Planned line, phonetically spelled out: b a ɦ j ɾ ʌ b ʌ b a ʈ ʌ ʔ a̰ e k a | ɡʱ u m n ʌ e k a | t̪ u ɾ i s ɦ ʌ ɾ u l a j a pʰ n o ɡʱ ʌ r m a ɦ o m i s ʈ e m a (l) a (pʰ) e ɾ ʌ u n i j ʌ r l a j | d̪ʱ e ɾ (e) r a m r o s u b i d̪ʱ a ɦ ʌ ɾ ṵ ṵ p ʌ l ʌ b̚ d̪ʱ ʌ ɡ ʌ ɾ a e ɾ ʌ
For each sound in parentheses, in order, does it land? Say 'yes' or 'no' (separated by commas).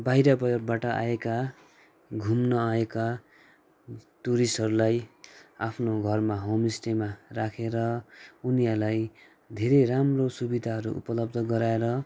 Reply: no, no, yes